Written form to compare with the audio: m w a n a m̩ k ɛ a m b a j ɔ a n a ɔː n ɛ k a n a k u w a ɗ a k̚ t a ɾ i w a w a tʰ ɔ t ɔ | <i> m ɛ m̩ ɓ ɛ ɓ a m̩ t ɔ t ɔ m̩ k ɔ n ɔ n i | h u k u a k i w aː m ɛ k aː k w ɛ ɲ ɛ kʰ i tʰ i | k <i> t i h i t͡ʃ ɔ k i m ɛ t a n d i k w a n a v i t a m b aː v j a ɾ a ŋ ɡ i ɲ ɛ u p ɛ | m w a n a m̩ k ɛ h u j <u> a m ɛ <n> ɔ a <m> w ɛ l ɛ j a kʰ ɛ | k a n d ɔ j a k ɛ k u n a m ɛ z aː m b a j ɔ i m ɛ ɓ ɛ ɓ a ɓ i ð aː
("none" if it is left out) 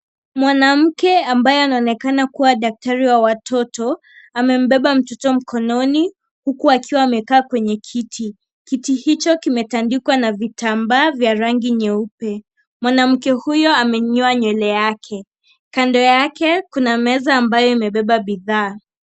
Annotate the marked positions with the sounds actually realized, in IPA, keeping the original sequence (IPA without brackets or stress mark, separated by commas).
a, i, ɔ, ɲ, ɲ